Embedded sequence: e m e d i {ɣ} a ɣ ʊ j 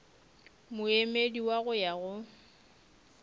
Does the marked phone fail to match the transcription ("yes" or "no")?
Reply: yes